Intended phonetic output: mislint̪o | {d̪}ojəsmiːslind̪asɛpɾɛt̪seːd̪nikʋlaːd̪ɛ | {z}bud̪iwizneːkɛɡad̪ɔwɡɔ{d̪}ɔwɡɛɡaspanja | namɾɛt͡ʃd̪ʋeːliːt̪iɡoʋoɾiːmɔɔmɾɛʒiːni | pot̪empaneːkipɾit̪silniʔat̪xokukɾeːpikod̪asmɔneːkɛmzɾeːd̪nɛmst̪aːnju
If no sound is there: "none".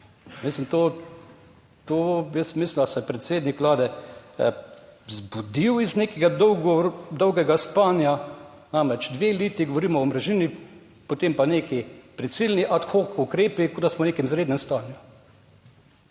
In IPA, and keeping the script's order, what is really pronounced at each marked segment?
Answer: t̪, z, d̪

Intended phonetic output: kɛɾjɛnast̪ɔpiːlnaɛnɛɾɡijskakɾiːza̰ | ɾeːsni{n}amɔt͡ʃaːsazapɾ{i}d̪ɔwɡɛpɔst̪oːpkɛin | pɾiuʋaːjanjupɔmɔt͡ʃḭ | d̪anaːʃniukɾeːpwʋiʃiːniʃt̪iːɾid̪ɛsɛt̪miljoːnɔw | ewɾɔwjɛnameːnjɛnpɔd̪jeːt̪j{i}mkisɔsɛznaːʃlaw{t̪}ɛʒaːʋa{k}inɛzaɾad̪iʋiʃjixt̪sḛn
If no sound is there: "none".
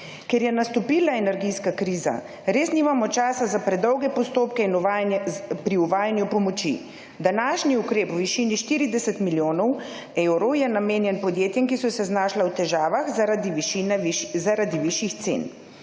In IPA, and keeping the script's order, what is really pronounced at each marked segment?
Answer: m, ɛ, ɛ, t̪, x

